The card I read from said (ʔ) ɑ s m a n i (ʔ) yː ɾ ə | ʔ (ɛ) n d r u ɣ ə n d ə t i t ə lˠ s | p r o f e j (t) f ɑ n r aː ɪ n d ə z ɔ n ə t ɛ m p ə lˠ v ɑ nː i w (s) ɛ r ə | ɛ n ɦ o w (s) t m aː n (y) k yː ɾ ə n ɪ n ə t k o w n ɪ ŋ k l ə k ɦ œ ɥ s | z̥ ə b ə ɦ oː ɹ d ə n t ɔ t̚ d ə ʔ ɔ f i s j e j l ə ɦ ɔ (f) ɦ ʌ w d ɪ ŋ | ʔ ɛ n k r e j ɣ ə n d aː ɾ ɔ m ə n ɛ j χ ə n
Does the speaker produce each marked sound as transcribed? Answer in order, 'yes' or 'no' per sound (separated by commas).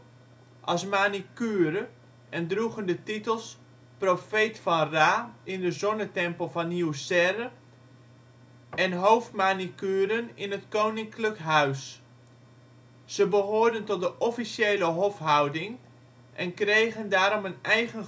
yes, no, yes, yes, yes, no, no, yes